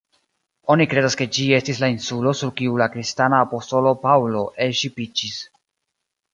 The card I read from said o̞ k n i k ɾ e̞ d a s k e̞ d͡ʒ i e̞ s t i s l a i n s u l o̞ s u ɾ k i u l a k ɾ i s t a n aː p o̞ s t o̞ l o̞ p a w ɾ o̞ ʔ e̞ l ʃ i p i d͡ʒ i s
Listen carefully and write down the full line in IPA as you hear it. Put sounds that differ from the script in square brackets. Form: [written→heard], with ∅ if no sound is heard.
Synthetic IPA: o̞ [k→∅] n i k ɾ e̞ d a s k e̞ d͡ʒ i e̞ s t i s l a i n s u l o̞ s u ɾ k i u l a k ɾ i s t a n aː p o̞ s t o̞ l o̞ p a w [ɾ→l] o̞ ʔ e̞ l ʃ i p i d͡ʒ i s